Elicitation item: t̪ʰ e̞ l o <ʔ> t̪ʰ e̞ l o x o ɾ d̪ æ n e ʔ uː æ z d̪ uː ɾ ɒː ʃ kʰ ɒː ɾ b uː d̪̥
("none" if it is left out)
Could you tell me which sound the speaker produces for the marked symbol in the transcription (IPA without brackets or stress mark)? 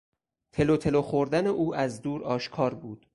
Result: none